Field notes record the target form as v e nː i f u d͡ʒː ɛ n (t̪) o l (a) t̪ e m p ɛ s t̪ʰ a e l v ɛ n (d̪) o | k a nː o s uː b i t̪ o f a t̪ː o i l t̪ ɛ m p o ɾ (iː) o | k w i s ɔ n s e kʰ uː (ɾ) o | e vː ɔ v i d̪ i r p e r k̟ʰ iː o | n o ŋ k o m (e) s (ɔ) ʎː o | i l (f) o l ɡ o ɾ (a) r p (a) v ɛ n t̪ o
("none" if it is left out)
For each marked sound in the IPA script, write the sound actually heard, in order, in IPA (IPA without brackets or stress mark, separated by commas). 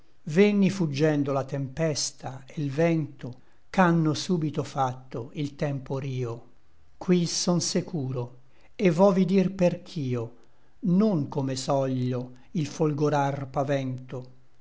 d̪, a, t̪, iː, ɾ, e, ɔ, f, a, a